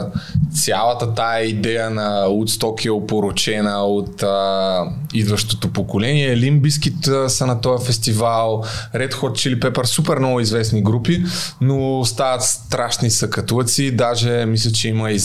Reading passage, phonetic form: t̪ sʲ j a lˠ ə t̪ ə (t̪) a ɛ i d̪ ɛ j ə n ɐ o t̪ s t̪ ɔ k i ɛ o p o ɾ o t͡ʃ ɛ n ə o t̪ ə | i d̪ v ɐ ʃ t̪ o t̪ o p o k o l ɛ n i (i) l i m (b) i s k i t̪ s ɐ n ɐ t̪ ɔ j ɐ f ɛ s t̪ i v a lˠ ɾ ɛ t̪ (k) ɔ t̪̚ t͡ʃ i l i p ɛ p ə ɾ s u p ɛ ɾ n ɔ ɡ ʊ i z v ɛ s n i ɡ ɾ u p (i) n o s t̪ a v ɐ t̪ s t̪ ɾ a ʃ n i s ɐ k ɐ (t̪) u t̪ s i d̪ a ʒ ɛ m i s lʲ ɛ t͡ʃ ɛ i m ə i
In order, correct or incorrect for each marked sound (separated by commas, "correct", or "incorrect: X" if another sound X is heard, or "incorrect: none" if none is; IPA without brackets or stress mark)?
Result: correct, incorrect: ɛ, correct, incorrect: x, correct, correct